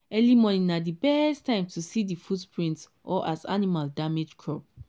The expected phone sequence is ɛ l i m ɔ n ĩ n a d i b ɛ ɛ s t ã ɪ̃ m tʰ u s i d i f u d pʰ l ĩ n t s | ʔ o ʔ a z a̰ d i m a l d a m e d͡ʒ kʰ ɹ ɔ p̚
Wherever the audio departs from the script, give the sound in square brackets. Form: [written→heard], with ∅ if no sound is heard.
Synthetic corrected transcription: ɛ l i m ɔ n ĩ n a d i b ɛ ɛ s t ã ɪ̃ m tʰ u s i d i f u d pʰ [l→ɹ] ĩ n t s | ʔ [o→ɔ] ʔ a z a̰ [d→n] i m a l d a m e d͡ʒ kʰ ɹ ɔ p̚